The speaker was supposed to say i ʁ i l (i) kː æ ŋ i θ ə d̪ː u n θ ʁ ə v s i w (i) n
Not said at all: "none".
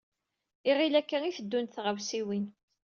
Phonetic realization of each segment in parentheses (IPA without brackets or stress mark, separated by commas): æ, i